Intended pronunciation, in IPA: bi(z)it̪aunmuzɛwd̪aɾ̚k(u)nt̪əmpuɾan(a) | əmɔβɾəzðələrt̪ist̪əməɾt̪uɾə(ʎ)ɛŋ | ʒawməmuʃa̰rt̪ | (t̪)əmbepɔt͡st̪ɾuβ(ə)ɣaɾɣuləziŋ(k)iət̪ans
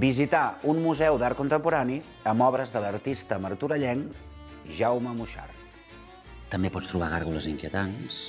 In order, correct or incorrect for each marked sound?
correct, correct, incorrect, correct, correct, incorrect, correct

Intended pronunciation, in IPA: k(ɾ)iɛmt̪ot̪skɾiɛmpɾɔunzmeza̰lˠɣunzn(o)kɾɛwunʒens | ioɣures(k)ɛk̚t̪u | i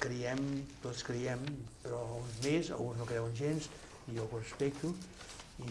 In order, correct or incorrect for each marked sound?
correct, correct, incorrect

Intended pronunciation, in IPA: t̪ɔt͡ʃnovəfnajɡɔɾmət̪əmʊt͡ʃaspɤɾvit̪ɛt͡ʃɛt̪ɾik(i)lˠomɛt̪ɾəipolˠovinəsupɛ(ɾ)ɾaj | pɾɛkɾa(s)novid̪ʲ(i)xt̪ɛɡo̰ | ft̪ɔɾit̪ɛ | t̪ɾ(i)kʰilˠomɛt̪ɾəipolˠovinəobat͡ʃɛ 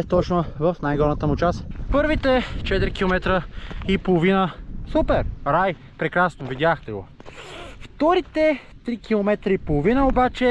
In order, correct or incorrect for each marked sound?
correct, correct, correct, incorrect, correct

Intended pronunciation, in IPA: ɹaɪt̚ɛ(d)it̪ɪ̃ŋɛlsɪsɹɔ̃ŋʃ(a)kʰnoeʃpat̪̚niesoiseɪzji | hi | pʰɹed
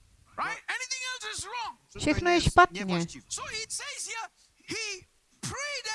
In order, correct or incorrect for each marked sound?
incorrect, incorrect

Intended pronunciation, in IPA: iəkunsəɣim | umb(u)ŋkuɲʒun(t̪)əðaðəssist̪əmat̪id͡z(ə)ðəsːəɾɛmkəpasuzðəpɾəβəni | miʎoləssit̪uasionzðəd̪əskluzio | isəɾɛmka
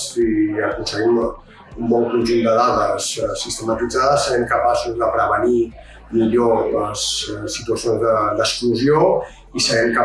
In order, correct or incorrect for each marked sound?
incorrect, incorrect, incorrect

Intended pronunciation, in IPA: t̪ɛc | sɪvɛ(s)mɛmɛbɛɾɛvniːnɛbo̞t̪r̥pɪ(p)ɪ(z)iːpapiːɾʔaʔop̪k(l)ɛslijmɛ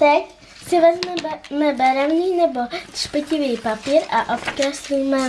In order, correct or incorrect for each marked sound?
incorrect, incorrect, incorrect, incorrect

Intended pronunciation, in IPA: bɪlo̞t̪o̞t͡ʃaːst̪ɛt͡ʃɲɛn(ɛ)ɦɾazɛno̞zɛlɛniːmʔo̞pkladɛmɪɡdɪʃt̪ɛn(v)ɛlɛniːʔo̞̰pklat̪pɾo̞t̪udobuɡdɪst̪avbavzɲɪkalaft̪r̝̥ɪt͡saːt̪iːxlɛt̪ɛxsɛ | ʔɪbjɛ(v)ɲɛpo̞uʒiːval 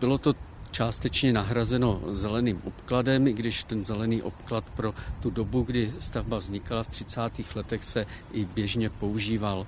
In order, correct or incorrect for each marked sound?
incorrect, incorrect, incorrect

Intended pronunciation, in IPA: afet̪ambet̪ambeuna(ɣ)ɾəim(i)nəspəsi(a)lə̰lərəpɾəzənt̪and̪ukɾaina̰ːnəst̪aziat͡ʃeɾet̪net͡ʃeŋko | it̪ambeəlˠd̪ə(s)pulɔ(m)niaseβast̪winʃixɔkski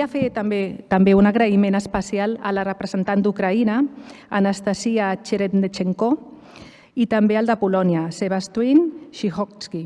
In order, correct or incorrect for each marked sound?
correct, incorrect, correct, incorrect, incorrect

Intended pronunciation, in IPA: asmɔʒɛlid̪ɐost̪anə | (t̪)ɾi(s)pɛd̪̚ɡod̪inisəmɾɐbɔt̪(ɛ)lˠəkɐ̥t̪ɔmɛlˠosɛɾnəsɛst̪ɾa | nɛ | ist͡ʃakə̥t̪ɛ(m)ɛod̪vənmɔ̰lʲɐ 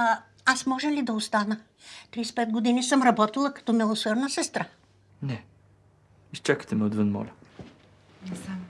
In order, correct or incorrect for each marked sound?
correct, correct, incorrect, correct

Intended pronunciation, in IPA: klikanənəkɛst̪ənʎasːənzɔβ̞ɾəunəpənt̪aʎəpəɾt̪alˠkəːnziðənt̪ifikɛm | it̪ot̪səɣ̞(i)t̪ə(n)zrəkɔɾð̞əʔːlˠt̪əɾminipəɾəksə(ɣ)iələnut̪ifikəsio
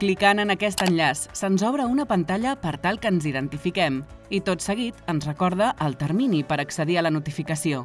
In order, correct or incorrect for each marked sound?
correct, correct, incorrect

